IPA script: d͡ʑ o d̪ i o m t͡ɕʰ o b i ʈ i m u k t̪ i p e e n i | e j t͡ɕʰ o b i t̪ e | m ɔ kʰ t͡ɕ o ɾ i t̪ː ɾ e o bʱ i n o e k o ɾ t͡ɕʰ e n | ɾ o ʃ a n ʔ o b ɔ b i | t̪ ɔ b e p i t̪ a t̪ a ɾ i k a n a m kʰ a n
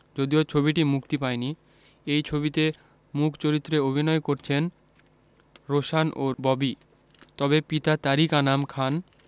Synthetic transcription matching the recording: d͡ʑ o d̪ i o t͡ɕʰ o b i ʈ i m u k t̪ i p a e n i | e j t͡ɕʰ o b i t̪ e | m u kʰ t͡ɕ o ɾ i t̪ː ɾ e o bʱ i n ɔ e k o ɾ t͡ɕʰ e n | ɾ o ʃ a n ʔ o b ɔ b i | t̪ ɔ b e p i t̪ a t̪ a ɾ i k a n a m kʰ a n